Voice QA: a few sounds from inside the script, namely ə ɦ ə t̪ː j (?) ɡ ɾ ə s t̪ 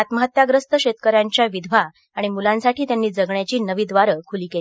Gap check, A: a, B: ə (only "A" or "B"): A